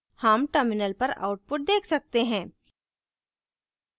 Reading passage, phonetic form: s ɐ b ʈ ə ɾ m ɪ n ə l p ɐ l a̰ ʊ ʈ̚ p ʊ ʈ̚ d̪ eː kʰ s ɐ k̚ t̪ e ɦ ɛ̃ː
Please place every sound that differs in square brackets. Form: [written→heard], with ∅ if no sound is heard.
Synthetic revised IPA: [s→h] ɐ [b→m] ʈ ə ɾ m ɪ n ə l p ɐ [l→ɾ] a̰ ʊ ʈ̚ p ʊ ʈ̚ d̪ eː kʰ s ɐ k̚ t̪ e ɦ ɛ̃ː